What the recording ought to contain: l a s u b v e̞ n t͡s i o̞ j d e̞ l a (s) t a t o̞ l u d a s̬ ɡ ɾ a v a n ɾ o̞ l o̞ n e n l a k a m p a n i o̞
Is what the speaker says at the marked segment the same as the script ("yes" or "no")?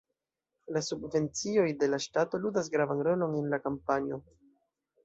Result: no